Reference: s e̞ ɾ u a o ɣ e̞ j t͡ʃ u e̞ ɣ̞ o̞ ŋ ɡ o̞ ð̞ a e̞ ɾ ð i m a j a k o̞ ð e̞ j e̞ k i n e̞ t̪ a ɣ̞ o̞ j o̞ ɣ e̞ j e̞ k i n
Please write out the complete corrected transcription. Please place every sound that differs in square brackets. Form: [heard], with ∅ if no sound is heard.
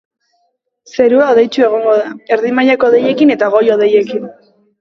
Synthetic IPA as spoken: s e̞ ɾ u a o [ð] e̞ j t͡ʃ u e̞ ɣ̞ o̞ ŋ ɡ o̞ ð̞ a e̞ ɾ ð i m a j a k o̞ ð e̞ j e̞ k i n e̞ t̪ a ɣ̞ o̞ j o̞ [ð] e̞ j e̞ k i n